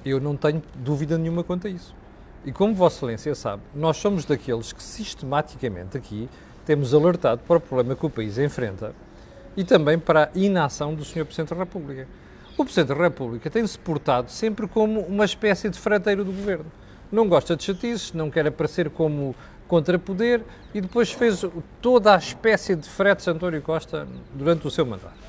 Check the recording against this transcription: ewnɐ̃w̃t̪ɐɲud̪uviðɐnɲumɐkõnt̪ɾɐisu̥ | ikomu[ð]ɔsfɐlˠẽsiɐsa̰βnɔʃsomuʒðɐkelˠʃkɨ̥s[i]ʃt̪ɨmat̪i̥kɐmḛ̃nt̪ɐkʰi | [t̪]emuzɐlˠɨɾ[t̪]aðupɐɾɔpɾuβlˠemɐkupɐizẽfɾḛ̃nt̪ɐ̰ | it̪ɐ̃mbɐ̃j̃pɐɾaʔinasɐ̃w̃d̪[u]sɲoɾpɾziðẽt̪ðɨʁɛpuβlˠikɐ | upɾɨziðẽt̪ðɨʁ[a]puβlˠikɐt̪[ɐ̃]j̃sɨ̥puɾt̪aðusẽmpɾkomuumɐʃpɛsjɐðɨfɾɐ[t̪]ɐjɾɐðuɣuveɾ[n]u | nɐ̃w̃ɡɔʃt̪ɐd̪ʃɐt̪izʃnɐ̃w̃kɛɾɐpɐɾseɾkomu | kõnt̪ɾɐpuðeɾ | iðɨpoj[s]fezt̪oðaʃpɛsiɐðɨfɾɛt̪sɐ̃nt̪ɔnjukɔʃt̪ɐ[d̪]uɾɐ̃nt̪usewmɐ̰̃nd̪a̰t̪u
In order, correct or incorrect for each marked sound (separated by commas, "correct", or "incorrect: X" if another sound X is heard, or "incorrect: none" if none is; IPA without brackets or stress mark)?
incorrect: v, correct, correct, correct, correct, incorrect: ɛ, correct, correct, correct, incorrect: ʃ, correct